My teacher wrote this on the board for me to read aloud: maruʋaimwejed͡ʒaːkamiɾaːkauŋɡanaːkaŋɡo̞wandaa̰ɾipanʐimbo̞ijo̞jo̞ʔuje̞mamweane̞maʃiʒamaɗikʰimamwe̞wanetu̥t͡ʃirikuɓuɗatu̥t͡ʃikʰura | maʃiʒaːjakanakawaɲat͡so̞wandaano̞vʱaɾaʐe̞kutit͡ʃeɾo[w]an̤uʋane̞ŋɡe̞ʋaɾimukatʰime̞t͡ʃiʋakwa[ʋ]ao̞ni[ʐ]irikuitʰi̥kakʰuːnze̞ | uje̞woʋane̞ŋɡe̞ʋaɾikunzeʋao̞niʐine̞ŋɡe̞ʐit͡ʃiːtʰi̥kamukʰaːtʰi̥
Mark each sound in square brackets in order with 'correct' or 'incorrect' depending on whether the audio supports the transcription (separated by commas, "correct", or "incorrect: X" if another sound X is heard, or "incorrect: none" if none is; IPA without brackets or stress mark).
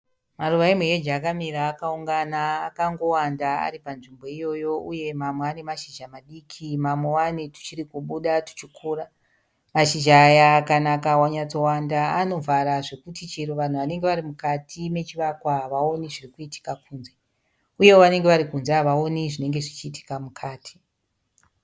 incorrect: ʋ, correct, correct